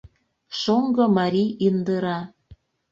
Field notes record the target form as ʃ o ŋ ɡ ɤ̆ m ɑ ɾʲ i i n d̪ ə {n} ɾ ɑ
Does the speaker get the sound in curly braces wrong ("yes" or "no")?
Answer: yes